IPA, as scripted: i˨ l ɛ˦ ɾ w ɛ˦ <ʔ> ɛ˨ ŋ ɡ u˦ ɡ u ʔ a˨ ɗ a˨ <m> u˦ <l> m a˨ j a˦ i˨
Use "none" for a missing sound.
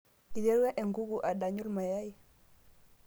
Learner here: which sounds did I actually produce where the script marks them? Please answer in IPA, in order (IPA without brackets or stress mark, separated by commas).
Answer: ʔ, ɲ, l